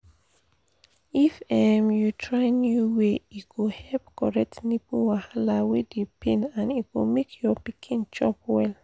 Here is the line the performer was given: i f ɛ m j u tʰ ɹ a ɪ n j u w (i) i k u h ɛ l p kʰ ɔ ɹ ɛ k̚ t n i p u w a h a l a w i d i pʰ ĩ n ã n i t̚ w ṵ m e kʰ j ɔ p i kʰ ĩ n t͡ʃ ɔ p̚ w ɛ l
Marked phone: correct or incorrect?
incorrect